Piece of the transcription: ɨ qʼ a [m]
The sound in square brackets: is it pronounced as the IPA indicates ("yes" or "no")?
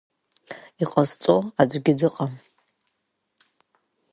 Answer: yes